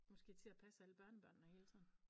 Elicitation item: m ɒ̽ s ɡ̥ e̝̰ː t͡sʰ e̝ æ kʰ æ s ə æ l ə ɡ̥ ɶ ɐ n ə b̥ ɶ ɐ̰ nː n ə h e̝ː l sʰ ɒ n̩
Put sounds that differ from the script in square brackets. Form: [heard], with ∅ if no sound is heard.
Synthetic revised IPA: m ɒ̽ s ɡ̥ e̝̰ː t͡sʰ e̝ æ [pʰ] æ s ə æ l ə [b̥] ɶ ɐ n ə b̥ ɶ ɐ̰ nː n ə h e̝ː l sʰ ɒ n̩